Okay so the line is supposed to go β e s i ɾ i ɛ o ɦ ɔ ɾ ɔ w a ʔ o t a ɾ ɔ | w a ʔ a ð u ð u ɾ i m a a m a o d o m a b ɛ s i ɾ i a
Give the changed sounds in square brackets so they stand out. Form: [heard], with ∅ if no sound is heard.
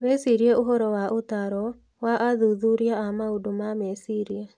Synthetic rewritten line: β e s i ɾ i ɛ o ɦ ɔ ɾ ɔ w a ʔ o t a ɾ ɔ | w a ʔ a ð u ð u ɾ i [∅] a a m a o d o m a [m] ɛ s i ɾ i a

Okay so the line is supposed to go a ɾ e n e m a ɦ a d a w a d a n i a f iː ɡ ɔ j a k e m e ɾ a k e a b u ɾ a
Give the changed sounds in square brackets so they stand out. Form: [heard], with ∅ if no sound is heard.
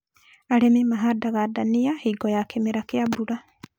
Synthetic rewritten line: a ɾ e [m] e m a ɦ a d a [ɣ] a d a n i a [h] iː ɡ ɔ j a k e m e ɾ a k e a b u ɾ a

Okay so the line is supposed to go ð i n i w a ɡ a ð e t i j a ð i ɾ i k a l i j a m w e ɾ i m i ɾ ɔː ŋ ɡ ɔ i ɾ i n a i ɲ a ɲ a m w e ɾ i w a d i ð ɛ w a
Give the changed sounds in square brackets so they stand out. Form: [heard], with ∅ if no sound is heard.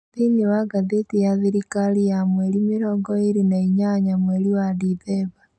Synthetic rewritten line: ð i n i w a ɡ a ð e t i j a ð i ɾ i k a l i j a m w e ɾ i m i ɾ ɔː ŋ ɡ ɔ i ɾ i n a i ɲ a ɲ a m w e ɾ i w a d i ð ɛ [β] a

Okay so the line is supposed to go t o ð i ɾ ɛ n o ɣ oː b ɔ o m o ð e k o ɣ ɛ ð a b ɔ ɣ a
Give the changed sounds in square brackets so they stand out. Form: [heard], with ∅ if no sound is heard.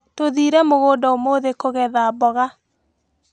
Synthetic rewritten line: t o ð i ɾ ɛ [m] o ɣ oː [d] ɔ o m o ð e k o ɣ ɛ ð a b ɔ ɣ a

